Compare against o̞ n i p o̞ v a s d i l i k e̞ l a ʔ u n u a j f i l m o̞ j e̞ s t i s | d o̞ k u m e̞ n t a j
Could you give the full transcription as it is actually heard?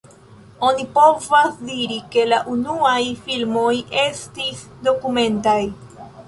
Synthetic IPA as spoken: o̞ n i p o̞ v a s d i ɾ i k e̞ l a ʔ u n u a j f i l m o̞ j e̞ s t i s | d o̞ k u m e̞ n t a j